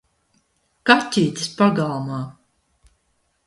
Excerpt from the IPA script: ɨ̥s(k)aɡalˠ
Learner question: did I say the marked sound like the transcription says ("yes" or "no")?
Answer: no